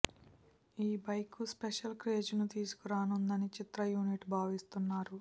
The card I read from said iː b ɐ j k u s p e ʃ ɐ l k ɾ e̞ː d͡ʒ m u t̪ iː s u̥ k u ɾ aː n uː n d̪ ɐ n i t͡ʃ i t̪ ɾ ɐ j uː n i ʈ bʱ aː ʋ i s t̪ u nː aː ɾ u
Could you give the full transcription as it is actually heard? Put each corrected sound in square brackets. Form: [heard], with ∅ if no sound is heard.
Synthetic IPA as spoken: iː b ɐ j k u s p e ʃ ɐ l k ɾ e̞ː d͡ʒ [n] u t̪ iː s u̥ k u ɾ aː n [u] n d̪ ɐ n i t͡ʃ i t̪ ɾ ɐ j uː n i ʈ bʱ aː ʋ i s t̪ u nː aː ɾ u